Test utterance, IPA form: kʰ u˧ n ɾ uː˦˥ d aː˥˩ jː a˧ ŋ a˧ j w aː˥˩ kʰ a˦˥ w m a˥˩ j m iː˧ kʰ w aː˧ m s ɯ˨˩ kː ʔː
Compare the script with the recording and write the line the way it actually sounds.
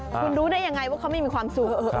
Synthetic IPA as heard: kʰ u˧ n ɾ uː˦˥ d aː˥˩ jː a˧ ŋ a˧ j w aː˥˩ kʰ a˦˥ w m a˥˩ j m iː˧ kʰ w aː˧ m s u˨˩ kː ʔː